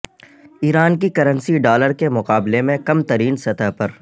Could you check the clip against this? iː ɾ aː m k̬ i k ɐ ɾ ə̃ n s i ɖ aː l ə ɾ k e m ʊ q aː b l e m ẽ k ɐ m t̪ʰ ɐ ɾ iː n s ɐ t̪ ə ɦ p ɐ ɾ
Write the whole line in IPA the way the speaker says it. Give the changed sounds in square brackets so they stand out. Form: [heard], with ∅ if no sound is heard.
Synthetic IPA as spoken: iː ɾ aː [n] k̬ i k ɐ ɾ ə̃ n s i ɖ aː l ə ɾ k e m ʊ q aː b l e m ẽ k ɐ m [t̪] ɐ ɾ iː n s ɐ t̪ ə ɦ p ɐ ɾ

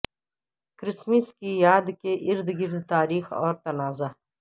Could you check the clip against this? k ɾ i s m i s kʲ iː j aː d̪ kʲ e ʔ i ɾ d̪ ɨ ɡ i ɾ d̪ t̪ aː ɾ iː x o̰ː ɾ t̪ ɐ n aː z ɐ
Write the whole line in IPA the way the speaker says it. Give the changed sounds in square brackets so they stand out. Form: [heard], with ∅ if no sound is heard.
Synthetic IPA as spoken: k ɾ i s m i s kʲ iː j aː d̪ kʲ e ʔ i ɾ d̪ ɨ ɡ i ɾ d̪ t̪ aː ɾ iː x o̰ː ɾ t̪ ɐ n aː z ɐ

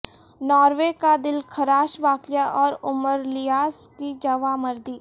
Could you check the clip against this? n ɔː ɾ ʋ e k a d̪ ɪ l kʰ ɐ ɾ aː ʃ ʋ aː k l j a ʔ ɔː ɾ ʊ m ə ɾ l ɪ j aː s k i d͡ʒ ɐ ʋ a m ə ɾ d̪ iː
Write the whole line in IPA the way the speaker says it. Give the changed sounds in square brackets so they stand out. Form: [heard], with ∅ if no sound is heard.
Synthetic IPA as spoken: n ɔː ɾ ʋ e k a d̪ ɪ l kʰ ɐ ɾ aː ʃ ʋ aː k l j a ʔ ɔː ɾ ʊ m ə ɾ l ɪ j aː s k i d͡ʒ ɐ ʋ a m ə ɾ d̪ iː

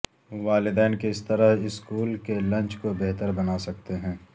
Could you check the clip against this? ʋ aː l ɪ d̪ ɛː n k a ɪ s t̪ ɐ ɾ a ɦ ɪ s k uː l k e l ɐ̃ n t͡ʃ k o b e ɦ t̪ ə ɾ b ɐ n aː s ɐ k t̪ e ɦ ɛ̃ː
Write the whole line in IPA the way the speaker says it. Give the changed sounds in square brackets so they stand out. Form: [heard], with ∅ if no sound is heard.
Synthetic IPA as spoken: ʋ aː l ɪ d̪ ɛː n k [e] ɪ s t̪ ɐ ɾ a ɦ ɪ s k uː l k e l ɐ̃ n t͡ʃ k o b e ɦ t̪ ə ɾ b ɐ n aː s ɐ k t̪ e ɦ ɛ̃ː

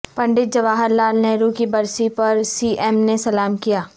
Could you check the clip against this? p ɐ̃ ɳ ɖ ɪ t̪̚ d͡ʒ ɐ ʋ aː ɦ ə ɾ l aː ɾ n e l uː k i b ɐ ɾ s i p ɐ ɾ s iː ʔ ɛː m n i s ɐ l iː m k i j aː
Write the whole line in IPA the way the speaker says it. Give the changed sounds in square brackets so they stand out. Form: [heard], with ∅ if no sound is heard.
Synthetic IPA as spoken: p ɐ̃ ɳ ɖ ɪ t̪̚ d͡ʒ ɐ ʋ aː ɦ ə ɾ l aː [l] n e [ɾ] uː k i b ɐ ɾ s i p ɐ ɾ s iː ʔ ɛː m n [e] s ɐ l [aː] m k i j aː

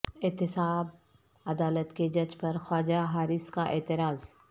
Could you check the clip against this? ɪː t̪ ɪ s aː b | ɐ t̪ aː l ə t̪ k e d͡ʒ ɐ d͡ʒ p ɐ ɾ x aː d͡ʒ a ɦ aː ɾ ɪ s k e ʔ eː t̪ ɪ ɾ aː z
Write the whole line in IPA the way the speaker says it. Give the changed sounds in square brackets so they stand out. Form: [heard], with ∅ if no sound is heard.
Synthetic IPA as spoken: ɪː t̪ ɪ s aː b | ɐ [d̪] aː l ə t̪ k e d͡ʒ ɐ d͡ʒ p ɐ ɾ x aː d͡ʒ a ɦ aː ɾ ɪ s k [a] ʔ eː t̪ ɪ ɾ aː z

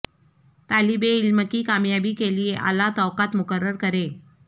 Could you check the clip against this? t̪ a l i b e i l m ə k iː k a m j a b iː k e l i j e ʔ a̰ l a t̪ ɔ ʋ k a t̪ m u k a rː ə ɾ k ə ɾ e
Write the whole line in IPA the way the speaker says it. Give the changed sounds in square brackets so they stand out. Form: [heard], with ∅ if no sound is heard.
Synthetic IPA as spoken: t̪ a l i b e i l m ə k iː k a m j a b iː k e l i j e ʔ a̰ l a t̪ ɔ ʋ k a t̪ m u k [ə] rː ə ɾ k ə ɾ e

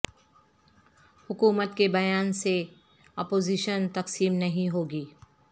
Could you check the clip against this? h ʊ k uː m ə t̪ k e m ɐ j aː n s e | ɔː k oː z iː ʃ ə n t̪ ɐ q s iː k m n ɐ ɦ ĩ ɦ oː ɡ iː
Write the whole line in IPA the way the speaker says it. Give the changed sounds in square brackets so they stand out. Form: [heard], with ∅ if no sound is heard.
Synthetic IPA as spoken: h ʊ k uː m ə t̪ k e [b] ɐ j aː n s e | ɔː [p] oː z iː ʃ ə n t̪ ɐ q s iː [∅] m n ɐ ɦ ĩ ɦ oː ɡ iː

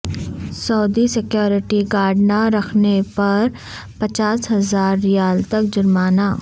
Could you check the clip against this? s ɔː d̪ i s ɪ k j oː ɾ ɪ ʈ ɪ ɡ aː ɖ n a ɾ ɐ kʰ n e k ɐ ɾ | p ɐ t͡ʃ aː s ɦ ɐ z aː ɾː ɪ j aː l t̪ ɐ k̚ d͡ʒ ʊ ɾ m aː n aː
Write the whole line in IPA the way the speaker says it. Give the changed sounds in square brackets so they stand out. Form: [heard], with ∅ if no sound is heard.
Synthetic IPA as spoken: s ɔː d̪ i s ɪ k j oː ɾ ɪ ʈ [i] ɡ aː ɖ n a ɾ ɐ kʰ n e [p] ɐ ɾ | p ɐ t͡ʃ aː s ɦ ɐ z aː ɾː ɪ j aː l t̪ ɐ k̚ d͡ʒ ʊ ɾ m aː n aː

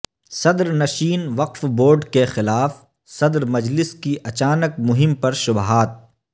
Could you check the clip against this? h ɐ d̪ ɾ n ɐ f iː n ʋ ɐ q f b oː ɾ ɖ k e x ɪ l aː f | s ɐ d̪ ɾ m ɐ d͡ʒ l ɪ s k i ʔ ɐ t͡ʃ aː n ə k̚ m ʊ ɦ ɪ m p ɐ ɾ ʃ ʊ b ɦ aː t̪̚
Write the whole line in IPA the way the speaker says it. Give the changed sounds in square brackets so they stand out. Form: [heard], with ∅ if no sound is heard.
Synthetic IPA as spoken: [s] ɐ d̪ ɾ n ɐ [ʃ] iː n ʋ ɐ q f b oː ɾ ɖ k e x ɪ l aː f | s ɐ d̪ ɾ m ɐ d͡ʒ l ɪ s k i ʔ ɐ t͡ʃ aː n ə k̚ m ʊ ɦ ɪ m p ɐ ɾ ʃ ʊ b ɦ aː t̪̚

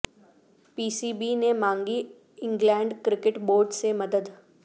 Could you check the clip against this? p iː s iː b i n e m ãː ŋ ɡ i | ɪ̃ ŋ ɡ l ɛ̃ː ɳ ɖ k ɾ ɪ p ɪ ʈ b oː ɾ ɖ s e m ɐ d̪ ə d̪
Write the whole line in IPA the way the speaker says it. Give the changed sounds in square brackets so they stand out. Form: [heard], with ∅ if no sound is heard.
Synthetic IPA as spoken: p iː s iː b i n e m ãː ŋ ɡ i | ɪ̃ ŋ ɡ l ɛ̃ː ɳ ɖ k ɾ ɪ [k] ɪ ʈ b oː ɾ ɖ s e m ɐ d̪ ə d̪

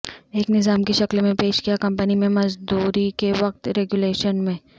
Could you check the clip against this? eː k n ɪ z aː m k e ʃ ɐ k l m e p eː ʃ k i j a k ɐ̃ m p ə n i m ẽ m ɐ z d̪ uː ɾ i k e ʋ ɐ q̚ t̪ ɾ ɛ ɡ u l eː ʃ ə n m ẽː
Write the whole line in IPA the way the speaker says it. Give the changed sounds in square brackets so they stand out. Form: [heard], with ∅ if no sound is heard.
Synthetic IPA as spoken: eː k n ɪ z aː m k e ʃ ɐ k l m [ẽ] p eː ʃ k i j a k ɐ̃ m p ə n i m ẽ m ɐ z d̪ uː ɾ i k e ʋ ɐ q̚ t̪ ɾ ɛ ɡ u l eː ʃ ə n m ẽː

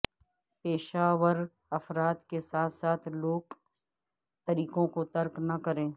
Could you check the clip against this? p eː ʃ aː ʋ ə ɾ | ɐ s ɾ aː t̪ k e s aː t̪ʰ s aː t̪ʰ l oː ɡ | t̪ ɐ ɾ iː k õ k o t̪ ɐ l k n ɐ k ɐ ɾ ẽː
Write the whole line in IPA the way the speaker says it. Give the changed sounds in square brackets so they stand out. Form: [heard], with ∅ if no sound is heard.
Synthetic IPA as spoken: p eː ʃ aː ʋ ə ɾ | ɐ [f] ɾ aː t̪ k e s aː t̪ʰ s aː t̪ʰ l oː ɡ | t̪ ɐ ɾ iː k õ k o t̪ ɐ [ɾ] k n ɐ k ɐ ɾ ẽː

